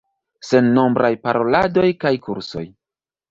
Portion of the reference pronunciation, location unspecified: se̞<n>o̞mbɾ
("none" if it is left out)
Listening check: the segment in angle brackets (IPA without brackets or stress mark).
nː